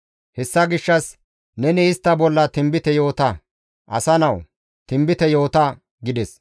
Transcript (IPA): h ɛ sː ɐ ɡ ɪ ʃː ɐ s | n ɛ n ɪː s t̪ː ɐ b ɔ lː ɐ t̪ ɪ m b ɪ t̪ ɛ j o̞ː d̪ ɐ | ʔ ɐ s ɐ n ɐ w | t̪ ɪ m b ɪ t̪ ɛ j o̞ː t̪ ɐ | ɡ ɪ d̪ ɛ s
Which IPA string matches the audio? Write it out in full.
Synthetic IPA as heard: h ɛ sː ɐ ɡ ɪ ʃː ɐ s | n ɛ n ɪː s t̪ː ɐ b ɔ lː ɐ t̪ ɪ m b ɪ t̪ ɛ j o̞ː t̪ ɐ | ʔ ɐ s ɐ n ɐ w | t̪ ɪ m b ɪ t̪ ɛ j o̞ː t̪ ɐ | ɡ ɪ d̪ ɛ s